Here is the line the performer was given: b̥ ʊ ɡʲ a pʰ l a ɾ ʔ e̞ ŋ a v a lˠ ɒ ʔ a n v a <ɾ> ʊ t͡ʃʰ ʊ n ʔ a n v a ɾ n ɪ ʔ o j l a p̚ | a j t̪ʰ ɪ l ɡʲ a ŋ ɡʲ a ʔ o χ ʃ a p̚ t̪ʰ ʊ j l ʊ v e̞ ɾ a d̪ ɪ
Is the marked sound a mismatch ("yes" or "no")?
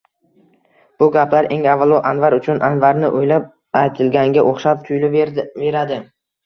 no